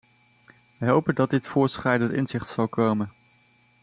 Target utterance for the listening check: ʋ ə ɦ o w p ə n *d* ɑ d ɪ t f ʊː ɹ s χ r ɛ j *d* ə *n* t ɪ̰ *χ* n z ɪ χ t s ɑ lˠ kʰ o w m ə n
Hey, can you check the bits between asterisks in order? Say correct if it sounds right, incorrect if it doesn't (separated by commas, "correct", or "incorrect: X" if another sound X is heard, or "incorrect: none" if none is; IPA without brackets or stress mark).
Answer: correct, correct, correct, incorrect: none